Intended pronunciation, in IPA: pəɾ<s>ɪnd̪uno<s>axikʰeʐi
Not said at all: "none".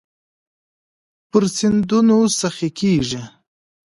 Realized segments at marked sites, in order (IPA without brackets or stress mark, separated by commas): s, s